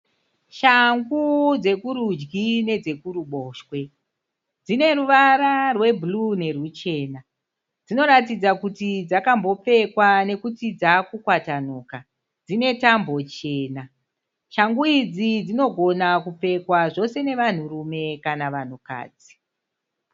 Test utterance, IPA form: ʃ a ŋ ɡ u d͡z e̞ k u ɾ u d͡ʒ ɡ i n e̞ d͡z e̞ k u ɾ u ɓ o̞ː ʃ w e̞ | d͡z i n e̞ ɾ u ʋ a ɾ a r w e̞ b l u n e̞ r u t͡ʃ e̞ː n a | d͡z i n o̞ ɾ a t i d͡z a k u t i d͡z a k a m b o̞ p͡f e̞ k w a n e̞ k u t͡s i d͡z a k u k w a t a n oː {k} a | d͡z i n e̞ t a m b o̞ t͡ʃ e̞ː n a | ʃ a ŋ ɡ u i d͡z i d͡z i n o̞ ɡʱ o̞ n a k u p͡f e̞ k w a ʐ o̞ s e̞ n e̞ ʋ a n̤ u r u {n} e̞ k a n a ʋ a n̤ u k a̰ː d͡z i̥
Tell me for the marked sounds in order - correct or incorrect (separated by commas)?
correct, incorrect